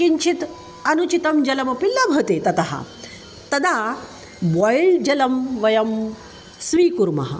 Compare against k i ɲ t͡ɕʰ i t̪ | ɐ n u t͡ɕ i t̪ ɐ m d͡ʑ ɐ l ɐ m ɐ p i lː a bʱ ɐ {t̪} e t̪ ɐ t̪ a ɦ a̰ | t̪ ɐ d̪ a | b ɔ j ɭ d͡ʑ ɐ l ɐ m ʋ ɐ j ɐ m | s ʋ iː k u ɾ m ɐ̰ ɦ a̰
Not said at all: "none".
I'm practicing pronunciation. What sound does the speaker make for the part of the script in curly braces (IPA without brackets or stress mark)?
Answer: t̪